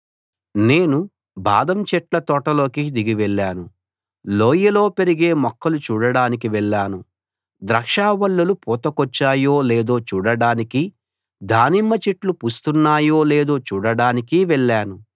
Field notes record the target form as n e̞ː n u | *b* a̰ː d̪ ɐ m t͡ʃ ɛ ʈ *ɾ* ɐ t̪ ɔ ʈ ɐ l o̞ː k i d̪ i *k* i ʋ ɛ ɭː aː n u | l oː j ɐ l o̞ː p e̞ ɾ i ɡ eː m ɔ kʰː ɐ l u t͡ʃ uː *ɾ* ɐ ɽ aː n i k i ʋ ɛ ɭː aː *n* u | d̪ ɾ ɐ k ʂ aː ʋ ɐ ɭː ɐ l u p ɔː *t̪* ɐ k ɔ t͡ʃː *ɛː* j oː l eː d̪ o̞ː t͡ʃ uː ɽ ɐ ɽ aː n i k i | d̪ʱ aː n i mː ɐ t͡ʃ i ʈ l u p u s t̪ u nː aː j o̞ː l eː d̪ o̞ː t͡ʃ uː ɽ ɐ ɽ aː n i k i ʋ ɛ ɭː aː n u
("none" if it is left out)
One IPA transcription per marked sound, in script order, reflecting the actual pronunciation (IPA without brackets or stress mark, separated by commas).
b, l, ɡ, ɽ, n, t̪, aː